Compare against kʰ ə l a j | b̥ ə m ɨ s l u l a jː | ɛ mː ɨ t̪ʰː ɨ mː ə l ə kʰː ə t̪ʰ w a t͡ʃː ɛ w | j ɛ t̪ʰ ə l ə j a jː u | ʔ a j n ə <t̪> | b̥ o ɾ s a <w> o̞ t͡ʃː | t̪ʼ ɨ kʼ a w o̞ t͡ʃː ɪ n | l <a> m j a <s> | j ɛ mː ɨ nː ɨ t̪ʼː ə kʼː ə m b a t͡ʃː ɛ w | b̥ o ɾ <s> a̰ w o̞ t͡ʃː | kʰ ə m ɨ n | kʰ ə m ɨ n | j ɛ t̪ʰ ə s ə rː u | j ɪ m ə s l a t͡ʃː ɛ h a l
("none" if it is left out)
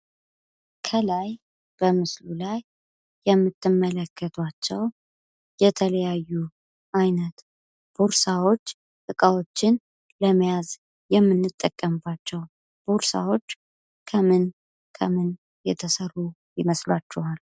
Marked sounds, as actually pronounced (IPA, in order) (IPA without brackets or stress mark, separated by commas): t̪, w, ə, z, s